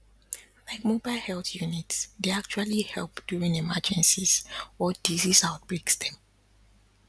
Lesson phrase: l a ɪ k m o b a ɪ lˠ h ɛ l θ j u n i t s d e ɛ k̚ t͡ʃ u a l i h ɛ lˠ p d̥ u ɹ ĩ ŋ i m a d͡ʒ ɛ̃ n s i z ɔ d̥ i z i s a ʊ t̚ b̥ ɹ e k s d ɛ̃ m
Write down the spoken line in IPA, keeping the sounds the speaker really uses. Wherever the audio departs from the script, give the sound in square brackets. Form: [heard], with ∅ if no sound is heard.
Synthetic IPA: l a ɪ k m o b a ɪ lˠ h ɛ l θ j u n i t s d e [a] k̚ t͡ʃ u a l i h ɛ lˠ p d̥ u ɹ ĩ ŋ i m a d͡ʒ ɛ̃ n s i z ɔ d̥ i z i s a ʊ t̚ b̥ ɹ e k s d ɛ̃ m